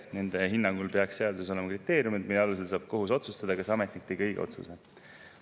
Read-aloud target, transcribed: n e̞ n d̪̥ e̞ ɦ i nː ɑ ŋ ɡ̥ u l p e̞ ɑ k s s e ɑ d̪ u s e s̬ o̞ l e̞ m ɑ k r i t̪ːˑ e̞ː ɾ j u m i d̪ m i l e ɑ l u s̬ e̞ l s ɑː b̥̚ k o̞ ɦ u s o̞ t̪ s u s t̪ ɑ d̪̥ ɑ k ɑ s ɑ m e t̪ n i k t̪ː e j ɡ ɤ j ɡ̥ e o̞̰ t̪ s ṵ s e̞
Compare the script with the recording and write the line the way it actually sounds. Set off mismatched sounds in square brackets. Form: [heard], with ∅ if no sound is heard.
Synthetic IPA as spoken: n e̞ n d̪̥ e̞ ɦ i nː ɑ ŋ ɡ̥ u l p e̞ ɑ k s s e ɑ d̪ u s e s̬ o̞ l e̞ m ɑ k r i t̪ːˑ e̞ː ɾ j u m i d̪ m i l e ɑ l u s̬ e̞ l s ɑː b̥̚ k o̞ ɦ u s o̞ t̪ s u s t̪ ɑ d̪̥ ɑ k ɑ s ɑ m e t̪ n i k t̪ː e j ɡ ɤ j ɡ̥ e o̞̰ t̪ s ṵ s e̞

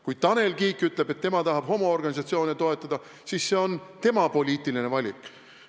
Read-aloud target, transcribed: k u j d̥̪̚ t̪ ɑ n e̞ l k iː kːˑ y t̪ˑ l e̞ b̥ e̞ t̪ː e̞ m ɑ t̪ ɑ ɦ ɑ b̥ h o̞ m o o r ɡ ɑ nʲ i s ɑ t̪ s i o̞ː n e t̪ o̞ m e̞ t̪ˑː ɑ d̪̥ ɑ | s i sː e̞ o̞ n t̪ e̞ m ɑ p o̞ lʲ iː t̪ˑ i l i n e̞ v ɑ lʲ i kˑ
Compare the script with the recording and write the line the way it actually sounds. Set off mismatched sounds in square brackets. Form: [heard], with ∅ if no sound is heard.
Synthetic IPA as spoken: k u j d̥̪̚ t̪ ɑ n e̞ l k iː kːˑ y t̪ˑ l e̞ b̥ e̞ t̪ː e̞ m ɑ t̪ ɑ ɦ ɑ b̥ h o̞ m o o r ɡ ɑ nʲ i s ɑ t̪ s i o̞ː n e t̪ o̞ [∅] e̞ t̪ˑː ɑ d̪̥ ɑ | s i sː e̞ o̞ n t̪ e̞ m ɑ p o̞ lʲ iː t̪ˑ i l i n e̞ v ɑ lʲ i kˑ

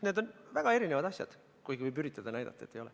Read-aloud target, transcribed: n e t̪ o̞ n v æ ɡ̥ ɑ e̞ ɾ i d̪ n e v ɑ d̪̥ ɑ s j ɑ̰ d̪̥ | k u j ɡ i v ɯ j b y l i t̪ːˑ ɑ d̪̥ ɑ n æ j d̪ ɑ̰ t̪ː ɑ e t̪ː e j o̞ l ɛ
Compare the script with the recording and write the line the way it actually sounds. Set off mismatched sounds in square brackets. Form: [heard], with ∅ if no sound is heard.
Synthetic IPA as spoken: n e [d̪] o̞ n v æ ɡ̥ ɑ e̞ ɾ i [∅] n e v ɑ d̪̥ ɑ s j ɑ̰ d̪̥ | k u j ɡ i v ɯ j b y [ɾ] i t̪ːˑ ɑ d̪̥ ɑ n æ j d̪ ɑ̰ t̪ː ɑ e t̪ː e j o̞ l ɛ

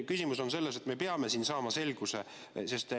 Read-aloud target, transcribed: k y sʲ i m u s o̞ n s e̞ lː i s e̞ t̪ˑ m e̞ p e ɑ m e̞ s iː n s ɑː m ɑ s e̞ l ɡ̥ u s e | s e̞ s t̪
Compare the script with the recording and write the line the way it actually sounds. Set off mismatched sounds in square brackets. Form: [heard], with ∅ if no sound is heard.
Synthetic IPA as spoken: k y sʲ i m u s o̞ n s e̞ lː [e] s e̞ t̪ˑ m e̞ p e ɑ m e̞ s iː n s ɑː m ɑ s e̞ l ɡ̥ u s e | s e̞ s t̪

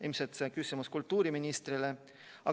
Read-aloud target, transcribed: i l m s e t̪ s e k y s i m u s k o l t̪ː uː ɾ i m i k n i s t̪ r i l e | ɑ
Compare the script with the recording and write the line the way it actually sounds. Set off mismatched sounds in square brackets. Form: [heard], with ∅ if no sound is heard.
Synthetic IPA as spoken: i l m s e t̪ s e k y s i m u s k [u] l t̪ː uː ɾ i m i [∅] n i s t̪ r i l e | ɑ

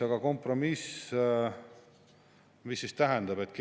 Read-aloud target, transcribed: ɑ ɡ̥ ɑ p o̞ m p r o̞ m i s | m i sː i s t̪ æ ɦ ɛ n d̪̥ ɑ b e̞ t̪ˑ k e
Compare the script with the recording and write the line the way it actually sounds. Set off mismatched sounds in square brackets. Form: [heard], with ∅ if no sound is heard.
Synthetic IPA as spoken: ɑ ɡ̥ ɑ [k] o̞ m p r o̞ m i s | m i sː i s t̪ æ ɦ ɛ n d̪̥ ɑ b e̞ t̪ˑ k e

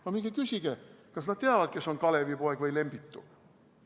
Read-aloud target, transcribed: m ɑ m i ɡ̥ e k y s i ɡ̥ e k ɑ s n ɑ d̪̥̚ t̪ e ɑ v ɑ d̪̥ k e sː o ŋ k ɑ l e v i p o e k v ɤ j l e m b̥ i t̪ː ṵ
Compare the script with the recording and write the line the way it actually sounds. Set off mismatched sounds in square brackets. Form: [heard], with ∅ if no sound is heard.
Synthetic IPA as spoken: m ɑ m i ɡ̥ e k y s i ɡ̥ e k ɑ s n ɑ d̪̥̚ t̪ e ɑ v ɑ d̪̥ k e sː o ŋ k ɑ l e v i p o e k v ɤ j l e m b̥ i t̪ː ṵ

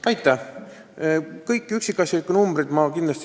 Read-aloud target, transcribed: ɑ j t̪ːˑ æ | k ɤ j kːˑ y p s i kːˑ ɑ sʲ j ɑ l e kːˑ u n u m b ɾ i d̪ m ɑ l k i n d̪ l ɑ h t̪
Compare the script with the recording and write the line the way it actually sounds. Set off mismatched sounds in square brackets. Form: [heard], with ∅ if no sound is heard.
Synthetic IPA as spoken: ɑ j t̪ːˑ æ | k ɤ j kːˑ y [k] s i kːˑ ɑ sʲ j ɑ l [i] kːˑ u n u m b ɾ i d̪ m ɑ [∅] k i n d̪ l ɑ [s] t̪

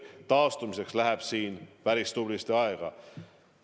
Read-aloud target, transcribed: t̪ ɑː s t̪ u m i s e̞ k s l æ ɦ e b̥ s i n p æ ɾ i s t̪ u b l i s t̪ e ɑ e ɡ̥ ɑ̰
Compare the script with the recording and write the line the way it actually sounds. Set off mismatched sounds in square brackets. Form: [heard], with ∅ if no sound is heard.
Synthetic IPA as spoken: t̪ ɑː s t̪ u m i s e̞ k s l æ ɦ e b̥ s [iː] n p æ ɾ i s t̪ u b l i s t̪ e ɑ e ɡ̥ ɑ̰

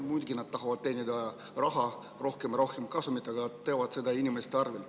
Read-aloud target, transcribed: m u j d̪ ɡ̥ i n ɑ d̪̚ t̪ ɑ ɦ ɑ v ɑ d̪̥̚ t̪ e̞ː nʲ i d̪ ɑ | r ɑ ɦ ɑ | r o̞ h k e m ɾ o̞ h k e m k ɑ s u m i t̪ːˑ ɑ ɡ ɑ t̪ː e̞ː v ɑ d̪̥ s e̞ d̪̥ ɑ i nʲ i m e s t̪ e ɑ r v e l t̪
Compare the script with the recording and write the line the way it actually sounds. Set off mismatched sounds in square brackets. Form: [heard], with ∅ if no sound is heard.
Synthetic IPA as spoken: m u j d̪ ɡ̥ i n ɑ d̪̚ t̪ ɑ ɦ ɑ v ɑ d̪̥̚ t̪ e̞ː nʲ i d̪ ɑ | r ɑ ɦ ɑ | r o̞ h k e m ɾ o̞ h k e m k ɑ s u m i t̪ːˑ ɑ ɡ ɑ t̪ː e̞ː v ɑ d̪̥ s e̞ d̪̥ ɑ i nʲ i m e s t̪ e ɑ r v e l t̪

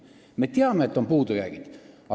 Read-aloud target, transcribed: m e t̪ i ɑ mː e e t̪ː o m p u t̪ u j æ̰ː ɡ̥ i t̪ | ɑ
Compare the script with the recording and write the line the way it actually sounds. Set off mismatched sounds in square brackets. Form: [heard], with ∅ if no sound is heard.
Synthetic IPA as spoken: m e t̪ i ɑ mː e e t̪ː o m p [uː] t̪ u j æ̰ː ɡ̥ i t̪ | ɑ

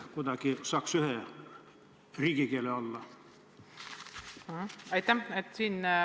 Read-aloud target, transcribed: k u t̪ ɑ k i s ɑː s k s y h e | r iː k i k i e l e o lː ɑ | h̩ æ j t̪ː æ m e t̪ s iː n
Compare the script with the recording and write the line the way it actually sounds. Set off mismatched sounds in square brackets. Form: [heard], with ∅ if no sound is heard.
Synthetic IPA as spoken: k u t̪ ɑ k i s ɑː [∅] k s y h e | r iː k i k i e l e o lː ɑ | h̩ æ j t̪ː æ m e t̪ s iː n

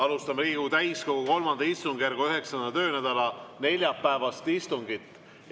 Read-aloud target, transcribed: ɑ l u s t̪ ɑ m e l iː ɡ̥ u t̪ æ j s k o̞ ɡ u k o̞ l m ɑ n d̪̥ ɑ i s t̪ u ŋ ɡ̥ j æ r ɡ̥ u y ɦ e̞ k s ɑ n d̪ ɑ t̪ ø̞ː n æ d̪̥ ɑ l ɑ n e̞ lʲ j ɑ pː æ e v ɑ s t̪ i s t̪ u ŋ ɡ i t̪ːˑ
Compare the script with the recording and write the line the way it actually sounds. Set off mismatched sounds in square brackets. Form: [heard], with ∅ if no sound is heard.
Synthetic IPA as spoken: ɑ l u s t̪ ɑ m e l iː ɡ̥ u t̪ æ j s k o̞ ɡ u k o̞ l m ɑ n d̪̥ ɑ i s t̪ u ŋ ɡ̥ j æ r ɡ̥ u y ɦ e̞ k s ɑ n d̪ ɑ t̪ ø̞ː n æ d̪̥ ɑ l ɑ n e̞ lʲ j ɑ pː æ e v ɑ s t̪ i s t̪ u ŋ ɡ i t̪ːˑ

